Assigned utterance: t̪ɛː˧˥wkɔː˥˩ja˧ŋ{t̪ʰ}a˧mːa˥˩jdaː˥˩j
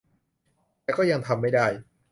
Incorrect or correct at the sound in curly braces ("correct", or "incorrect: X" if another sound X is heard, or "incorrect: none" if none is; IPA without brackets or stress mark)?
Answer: correct